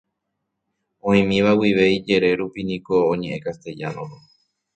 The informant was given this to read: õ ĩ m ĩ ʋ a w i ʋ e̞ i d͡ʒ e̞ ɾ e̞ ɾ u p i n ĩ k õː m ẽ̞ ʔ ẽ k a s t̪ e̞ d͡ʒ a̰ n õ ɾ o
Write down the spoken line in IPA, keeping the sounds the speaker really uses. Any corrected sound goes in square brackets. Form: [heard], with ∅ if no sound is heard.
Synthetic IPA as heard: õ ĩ m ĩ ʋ a w i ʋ e̞ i d͡ʒ e̞ ɾ e̞ ɾ u p i n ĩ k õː [ɲ] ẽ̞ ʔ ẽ k a s t̪ e̞ d͡ʒ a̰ n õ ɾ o